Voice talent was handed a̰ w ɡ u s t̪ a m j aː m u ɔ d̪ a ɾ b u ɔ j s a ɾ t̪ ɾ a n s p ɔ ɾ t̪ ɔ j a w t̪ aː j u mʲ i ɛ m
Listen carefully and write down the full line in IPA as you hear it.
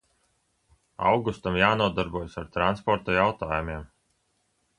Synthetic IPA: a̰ w ɡ u s t̪ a m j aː n u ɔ d̪ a ɾ b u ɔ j s a ɾ t̪ ɾ a n s p ɔ ɾ t̪ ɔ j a w t̪ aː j u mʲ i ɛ m